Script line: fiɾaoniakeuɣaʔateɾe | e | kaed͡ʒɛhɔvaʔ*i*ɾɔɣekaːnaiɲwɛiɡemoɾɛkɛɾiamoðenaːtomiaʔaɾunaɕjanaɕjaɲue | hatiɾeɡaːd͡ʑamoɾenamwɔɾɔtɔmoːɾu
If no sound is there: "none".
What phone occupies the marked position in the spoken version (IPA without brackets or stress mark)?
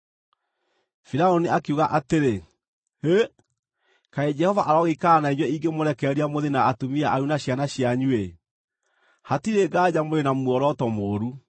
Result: a